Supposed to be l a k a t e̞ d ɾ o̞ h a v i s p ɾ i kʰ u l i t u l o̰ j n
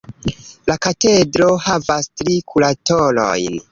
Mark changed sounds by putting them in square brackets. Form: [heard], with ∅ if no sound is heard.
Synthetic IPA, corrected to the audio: l a k a t e̞ d ɾ o̞ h a v [a] s [t] ɾ i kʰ u l [a] t [o] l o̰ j n